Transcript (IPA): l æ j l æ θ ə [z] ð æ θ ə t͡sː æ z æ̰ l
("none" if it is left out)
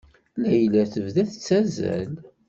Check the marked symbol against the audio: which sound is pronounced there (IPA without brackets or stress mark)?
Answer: v